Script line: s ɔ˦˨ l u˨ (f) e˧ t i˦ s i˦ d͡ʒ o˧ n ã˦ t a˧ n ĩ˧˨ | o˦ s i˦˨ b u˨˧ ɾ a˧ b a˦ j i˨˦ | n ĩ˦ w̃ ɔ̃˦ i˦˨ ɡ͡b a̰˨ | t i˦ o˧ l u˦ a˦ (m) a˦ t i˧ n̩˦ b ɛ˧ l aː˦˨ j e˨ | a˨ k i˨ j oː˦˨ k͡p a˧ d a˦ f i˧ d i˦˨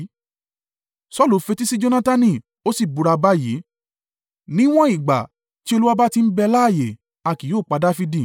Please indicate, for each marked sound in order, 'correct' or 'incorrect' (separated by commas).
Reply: correct, incorrect